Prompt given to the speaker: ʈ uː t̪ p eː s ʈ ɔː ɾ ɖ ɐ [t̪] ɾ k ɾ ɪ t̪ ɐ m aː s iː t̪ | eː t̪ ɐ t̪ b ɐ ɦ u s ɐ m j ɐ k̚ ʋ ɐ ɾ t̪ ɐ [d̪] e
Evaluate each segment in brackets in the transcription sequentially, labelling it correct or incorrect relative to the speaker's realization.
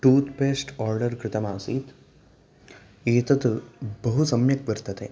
incorrect: none, incorrect: t̪

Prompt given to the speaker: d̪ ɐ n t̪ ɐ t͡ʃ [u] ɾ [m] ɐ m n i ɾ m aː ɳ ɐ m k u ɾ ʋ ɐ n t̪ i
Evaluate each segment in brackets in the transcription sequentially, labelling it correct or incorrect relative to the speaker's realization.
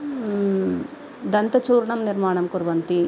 incorrect: uː, incorrect: ɳ

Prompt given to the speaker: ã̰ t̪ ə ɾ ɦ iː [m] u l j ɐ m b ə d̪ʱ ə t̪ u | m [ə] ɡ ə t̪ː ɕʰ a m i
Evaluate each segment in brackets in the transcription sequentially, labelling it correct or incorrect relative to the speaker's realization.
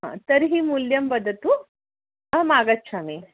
correct, incorrect: a

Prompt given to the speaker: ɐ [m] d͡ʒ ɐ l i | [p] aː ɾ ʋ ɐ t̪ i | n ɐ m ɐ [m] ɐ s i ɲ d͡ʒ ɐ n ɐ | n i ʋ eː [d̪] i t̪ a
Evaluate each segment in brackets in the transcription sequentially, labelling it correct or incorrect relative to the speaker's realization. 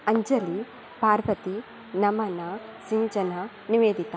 incorrect: ɲ, correct, incorrect: n, correct

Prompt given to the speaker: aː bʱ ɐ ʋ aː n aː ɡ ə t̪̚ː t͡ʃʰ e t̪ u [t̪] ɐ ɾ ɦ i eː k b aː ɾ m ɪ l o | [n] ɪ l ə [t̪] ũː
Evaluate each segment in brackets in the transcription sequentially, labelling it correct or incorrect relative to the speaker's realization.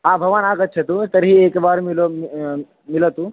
correct, incorrect: m, correct

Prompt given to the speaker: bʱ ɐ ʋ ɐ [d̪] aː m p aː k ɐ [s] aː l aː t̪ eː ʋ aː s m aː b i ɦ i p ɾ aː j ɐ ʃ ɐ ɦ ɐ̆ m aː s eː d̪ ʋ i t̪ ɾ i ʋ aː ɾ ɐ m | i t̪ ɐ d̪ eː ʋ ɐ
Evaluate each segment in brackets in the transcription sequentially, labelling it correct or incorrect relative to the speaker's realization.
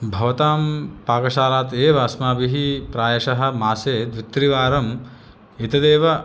incorrect: t̪, incorrect: ʃ

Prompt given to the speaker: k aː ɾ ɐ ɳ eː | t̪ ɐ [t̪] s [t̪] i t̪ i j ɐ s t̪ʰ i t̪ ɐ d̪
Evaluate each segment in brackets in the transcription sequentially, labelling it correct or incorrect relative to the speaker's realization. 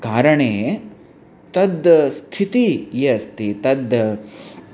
incorrect: d̪, incorrect: t̪ʰ

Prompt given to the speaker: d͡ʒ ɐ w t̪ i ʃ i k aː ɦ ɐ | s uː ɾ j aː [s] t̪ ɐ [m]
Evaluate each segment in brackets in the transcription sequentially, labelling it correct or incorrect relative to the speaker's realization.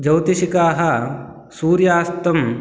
correct, correct

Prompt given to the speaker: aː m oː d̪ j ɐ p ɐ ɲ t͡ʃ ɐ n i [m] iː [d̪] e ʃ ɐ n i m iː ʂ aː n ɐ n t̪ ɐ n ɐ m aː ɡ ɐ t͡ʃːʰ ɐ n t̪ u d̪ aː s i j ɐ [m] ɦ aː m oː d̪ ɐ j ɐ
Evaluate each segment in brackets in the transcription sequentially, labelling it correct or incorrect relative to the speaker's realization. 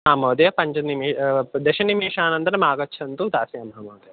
correct, correct, correct

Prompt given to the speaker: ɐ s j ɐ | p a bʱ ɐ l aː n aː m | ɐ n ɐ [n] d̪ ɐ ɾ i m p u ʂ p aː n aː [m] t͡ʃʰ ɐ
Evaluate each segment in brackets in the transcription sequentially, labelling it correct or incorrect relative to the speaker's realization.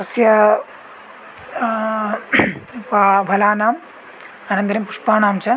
correct, correct

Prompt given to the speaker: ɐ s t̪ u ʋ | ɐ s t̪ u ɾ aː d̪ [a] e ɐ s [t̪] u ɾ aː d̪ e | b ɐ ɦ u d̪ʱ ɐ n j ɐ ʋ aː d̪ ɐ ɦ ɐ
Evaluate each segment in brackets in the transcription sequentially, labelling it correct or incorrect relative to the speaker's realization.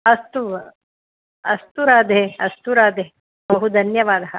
incorrect: e, correct

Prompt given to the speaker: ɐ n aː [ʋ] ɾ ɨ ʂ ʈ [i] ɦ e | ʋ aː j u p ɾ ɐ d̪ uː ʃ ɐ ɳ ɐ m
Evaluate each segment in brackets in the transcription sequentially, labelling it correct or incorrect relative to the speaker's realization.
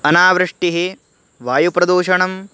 correct, correct

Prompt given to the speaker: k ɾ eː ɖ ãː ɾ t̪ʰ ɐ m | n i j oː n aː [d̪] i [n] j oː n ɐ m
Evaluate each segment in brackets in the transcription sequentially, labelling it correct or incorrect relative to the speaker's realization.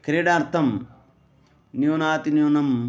incorrect: t̪, correct

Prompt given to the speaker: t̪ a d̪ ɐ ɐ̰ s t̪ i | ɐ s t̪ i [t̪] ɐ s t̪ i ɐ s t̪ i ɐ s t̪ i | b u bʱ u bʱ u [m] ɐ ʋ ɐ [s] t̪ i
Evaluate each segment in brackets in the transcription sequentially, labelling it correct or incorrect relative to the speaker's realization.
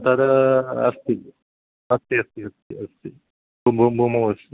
incorrect: none, correct, correct

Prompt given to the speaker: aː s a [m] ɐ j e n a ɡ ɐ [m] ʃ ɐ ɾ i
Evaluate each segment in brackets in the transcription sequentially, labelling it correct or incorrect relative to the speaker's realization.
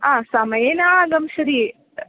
correct, correct

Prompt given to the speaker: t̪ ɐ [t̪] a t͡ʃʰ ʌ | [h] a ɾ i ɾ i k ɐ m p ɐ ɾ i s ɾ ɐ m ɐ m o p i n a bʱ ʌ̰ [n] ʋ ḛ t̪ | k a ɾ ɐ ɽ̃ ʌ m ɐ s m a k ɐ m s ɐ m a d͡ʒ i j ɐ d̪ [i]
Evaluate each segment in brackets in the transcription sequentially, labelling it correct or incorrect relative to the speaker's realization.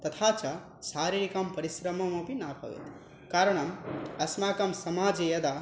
incorrect: t̪ʰ, incorrect: s, incorrect: none, incorrect: a

